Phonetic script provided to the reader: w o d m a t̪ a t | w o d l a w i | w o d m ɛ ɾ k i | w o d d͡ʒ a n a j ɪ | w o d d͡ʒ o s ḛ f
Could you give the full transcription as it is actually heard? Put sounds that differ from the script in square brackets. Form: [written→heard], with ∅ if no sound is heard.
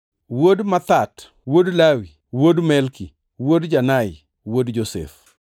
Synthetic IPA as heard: w o d m a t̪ a t | w o d l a w i | w o d m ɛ [ɾ→l] k i | w o d d͡ʒ a n a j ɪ | w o d d͡ʒ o s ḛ f